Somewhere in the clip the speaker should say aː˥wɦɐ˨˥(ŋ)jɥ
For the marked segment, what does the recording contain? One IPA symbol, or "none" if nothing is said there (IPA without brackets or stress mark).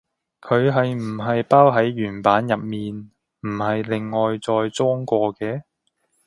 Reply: none